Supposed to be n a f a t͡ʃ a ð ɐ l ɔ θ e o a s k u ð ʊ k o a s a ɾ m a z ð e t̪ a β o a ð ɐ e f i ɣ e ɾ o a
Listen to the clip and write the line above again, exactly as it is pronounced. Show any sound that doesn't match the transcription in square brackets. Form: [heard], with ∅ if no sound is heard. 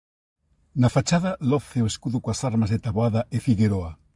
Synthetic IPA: n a f a t͡ʃ a ð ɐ l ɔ θ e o [e] s k u ð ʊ k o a s a ɾ m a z ð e t̪ a β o a ð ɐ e f i ɣ e ɾ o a